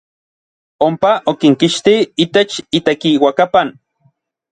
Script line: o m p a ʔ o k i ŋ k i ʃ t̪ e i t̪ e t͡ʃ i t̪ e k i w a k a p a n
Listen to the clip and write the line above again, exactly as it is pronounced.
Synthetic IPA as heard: o m p a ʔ o k i ŋ k i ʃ t̪ i i t̪ e t͡ʃ i t̪ e k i w a k a p a n

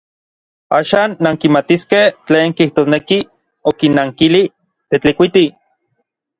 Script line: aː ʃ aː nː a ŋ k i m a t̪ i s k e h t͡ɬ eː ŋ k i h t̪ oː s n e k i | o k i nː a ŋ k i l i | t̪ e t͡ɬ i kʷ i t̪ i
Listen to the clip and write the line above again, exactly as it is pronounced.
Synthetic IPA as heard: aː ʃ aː nː a ŋ k i m a t̪ i s k e h t͡ɬ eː ŋ k i h t̪ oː s n e k i | o k i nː a ŋ k i l i | t̪ e t͡ɬ i kʷ i t̪ i

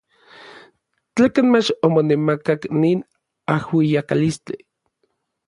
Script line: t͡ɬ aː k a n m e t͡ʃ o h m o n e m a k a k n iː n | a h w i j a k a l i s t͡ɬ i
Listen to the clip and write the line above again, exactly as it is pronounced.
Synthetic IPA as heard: t͡ɬ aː k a n m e t͡ʃ o m o n e m a k a k n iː n | a h w i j a k a l i s t͡ɬ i

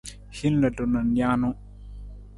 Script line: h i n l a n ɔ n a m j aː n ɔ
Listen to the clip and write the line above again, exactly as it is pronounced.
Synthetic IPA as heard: h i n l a d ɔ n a n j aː n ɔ

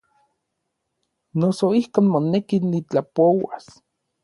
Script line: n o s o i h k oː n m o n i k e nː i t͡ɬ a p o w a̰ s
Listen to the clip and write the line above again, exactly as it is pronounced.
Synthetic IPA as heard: n o s o i h k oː n m o n e k i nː i t͡ɬ a p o w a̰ s

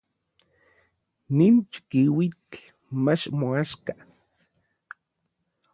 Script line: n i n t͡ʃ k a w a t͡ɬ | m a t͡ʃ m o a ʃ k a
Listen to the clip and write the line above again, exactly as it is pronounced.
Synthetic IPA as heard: n i n t͡ʃ k i w i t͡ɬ | m a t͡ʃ m o a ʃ k a

